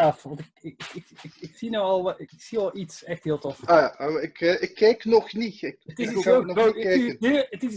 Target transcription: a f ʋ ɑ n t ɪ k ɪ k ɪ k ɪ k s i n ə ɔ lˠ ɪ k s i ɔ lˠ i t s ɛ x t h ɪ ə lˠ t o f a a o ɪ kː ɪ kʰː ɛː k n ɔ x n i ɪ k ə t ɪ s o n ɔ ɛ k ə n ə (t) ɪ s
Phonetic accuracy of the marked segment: correct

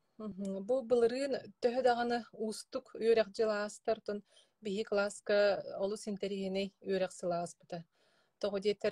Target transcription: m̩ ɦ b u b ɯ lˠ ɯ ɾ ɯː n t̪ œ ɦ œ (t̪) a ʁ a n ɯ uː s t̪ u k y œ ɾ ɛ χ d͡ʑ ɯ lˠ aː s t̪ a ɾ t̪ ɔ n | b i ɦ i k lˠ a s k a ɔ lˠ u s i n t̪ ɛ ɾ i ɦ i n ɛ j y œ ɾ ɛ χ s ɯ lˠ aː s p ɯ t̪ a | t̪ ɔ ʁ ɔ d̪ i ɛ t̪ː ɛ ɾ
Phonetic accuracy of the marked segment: incorrect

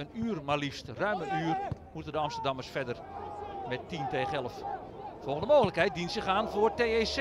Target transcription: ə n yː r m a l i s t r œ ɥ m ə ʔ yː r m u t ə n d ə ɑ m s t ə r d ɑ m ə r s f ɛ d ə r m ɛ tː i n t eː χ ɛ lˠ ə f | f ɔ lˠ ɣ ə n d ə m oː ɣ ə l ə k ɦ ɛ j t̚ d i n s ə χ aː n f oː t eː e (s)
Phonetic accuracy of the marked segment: correct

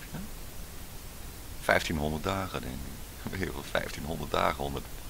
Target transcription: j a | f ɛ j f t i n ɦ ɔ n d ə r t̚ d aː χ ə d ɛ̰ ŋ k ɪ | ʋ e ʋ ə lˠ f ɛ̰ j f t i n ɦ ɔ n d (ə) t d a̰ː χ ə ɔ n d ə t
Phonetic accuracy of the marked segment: correct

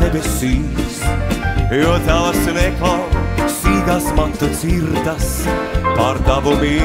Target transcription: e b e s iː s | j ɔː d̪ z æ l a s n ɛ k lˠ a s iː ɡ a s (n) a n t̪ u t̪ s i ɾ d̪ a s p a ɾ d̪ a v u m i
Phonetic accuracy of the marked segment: incorrect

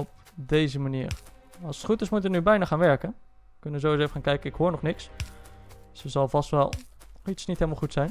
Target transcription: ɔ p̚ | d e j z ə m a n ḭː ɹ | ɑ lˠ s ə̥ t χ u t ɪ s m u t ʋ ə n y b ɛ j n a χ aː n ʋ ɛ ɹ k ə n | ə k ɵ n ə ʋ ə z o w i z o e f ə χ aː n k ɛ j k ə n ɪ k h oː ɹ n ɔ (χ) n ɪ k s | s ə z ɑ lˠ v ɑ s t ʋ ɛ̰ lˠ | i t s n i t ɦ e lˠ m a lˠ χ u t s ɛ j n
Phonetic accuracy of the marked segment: correct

